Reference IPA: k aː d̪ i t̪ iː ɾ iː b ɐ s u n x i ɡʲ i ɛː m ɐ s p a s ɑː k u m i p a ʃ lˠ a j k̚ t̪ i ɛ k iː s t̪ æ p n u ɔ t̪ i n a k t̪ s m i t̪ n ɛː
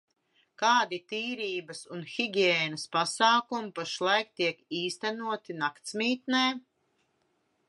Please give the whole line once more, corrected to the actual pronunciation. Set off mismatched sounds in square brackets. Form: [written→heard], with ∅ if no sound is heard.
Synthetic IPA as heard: k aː d̪ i t̪ iː ɾ iː b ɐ s u n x i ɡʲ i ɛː [m→n] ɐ s p a s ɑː k u m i p a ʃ lˠ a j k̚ t̪ i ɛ k iː s t̪ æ [p→∅] n u ɔ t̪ i n a k t̪ s m [i→iː] t̪ n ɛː